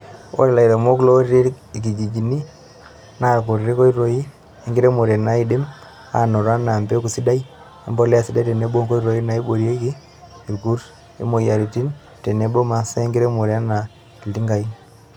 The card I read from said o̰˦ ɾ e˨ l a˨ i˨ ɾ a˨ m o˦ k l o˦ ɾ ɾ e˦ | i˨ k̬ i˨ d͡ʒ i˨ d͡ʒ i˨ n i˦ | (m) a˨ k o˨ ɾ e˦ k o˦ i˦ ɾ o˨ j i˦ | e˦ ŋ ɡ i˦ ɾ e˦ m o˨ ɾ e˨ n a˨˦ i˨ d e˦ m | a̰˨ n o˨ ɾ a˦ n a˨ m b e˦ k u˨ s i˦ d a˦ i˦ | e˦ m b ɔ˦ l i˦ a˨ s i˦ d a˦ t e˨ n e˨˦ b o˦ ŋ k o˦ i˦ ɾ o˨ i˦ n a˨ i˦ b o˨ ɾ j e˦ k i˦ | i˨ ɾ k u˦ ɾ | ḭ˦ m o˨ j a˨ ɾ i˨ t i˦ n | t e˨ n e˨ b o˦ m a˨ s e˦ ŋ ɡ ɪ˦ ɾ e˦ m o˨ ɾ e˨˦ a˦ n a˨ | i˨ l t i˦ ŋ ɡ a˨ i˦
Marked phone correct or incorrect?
incorrect